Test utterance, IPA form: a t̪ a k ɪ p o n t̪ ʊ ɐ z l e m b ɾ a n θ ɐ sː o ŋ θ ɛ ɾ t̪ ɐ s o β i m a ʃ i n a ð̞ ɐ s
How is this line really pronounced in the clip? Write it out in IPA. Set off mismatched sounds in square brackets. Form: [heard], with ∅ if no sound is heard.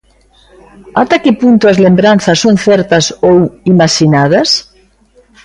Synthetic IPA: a t̪ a k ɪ p [u] n t̪ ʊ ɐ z l e m b ɾ a n θ ɐ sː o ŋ θ ɛ ɾ t̪ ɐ s o [w] i m a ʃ i n a ð̞ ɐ s

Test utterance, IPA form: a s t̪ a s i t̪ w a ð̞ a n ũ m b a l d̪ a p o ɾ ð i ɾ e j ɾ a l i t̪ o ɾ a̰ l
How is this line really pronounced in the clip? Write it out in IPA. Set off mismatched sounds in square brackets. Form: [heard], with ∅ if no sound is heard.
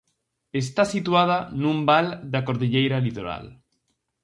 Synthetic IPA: [e] s t̪ a s i t̪ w a ð̞ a n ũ m b a l d̪ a [k] o ɾ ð i [ʎ] e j ɾ a l i t̪ o ɾ a̰ l

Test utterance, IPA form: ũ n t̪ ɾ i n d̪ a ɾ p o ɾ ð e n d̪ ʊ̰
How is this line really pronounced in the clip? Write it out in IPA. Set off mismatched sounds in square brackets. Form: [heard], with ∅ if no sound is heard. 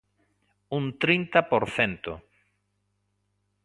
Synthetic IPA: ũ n t̪ ɾ i n [t̪] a [∅] p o ɾ [θ] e n [t̪] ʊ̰

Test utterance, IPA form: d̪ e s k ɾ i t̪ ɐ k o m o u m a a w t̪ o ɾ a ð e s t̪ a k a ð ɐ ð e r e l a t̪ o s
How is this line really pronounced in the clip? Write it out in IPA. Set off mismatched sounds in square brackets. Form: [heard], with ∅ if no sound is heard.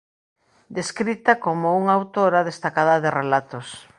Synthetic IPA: d̪ e s k ɾ i t̪ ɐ k o m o u [ŋ] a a w t̪ o ɾ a ð e s t̪ a k a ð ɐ ð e r e l a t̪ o s

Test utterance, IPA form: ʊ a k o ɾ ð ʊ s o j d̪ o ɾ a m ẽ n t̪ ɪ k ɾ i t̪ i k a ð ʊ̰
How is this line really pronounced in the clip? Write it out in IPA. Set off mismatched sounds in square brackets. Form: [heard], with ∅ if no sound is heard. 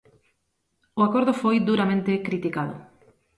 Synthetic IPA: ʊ a k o ɾ ð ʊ [f] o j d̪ [u] ɾ a m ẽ n t̪ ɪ k ɾ i t̪ i k a ð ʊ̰

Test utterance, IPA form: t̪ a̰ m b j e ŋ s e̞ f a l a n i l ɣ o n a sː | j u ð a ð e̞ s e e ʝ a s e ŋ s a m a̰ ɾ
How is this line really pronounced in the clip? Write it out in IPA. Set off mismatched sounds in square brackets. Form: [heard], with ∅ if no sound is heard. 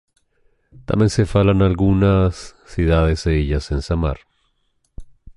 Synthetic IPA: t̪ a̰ m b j e [n] s e̞ f a l a n [a] l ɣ [u] n a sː | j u ð a ð e̞ s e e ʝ a s e [n] s a m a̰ ɾ

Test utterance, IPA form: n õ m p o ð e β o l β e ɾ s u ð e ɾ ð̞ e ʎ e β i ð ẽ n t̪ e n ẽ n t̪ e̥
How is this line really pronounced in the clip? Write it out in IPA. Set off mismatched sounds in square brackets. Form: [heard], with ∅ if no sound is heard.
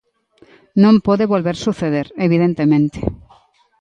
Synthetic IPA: n õ m p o ð e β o l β e ɾ s u [θ] e [∅] ð̞ e [ɾ] e β i ð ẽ n t̪ e [m] ẽ n t̪ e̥

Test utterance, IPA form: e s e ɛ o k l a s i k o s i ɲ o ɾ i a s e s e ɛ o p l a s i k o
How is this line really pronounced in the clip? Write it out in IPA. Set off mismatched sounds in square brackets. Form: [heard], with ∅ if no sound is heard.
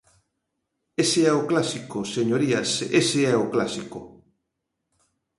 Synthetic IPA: e s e ɛ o k l a s i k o s [e] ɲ o ɾ i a s e s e ɛ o [k] l a s i k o

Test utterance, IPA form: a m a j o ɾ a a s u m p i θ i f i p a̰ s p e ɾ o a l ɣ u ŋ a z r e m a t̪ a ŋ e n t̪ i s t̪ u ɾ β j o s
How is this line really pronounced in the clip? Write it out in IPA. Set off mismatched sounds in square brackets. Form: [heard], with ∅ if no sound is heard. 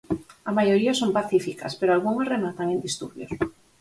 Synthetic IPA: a m a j o ɾ [i] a s [o] m p [a] θ i f i [k] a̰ s p e ɾ o a l ɣ u ŋ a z r e m a t̪ a ŋ e n [d̪] i s t̪ u ɾ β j o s

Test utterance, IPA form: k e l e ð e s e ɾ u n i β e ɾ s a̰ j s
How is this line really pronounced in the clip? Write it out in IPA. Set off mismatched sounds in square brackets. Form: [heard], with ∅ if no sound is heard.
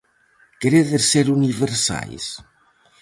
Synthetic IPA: k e [ɾ] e ð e s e ɾ u n i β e ɾ s a̰ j s

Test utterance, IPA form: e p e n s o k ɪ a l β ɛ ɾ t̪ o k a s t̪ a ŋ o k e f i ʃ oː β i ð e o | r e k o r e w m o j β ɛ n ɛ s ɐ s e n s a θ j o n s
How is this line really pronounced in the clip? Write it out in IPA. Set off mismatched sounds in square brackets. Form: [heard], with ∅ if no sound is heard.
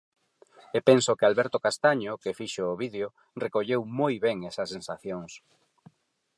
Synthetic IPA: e p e n s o k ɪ a l β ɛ ɾ t̪ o k a s t̪ a [ɲ] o k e f i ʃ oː β i ð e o | r e k o [ʎ] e w m o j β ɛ [ŋ] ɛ s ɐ s e n s a θ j o [ŋ] s

